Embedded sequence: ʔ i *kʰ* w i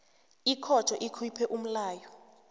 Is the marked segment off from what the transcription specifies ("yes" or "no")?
no